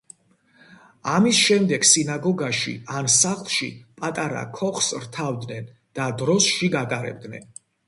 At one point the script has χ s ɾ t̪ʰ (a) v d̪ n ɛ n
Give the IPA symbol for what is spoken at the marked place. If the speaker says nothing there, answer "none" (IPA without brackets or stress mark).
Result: a